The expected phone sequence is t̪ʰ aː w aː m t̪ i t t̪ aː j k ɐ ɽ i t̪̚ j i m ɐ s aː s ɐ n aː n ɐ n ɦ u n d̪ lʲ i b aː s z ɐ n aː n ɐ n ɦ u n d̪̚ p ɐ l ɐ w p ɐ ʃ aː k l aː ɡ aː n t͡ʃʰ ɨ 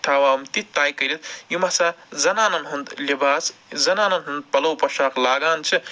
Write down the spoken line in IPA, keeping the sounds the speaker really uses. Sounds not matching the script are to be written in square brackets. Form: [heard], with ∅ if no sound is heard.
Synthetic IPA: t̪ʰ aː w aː m t̪ i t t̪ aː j k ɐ [ɾ] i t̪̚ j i m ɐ s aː [z] ɐ n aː n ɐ n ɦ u n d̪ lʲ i b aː s z ɐ n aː n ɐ n ɦ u n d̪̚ p ɐ l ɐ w p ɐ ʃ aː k l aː ɡ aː n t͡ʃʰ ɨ